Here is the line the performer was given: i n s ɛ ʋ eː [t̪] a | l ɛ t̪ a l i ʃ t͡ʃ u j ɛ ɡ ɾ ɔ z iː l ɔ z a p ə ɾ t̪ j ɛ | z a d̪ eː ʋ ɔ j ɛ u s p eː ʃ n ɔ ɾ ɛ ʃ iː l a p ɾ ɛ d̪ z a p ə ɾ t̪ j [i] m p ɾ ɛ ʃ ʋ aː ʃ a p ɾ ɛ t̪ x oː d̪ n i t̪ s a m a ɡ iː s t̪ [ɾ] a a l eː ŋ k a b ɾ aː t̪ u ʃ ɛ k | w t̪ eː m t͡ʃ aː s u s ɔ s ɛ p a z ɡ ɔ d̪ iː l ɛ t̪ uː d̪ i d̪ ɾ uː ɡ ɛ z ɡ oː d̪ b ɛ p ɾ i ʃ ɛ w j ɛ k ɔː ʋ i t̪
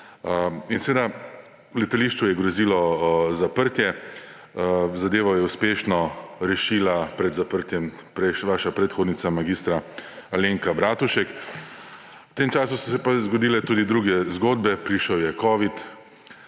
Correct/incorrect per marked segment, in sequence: incorrect: d̪, incorrect: ɛ, correct

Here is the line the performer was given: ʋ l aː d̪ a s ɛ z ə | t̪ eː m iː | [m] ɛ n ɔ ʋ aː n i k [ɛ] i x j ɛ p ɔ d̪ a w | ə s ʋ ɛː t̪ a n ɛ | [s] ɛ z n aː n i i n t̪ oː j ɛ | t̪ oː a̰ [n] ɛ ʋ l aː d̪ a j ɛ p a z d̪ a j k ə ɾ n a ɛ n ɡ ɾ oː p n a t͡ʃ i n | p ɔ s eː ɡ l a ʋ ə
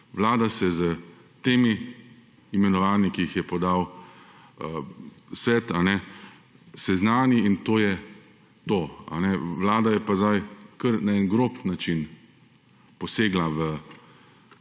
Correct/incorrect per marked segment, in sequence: correct, incorrect: i, correct, correct

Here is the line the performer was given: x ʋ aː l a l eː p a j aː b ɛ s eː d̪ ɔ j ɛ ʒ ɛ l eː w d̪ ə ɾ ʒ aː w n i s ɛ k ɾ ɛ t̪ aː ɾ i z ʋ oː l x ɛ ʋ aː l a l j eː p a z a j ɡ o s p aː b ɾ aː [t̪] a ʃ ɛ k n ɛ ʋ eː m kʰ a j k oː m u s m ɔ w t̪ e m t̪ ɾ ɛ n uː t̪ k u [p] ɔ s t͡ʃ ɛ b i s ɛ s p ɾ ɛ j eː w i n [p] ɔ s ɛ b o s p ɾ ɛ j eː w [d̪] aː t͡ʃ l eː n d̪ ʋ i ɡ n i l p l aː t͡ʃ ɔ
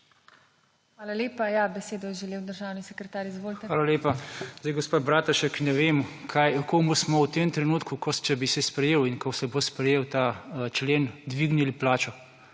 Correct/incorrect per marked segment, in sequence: correct, incorrect: k, incorrect: k, incorrect: t̪

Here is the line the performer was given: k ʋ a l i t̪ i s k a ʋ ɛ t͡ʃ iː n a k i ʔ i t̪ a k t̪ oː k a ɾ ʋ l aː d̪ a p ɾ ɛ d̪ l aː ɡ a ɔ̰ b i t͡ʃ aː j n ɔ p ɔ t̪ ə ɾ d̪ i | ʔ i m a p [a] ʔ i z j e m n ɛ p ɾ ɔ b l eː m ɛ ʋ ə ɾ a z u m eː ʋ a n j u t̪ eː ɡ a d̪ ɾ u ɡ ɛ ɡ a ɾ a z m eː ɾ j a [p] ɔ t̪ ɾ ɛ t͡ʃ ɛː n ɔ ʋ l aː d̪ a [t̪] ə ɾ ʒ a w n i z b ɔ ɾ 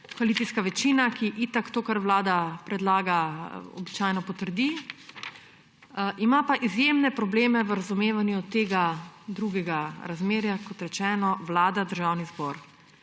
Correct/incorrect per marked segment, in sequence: correct, incorrect: k, incorrect: d̪

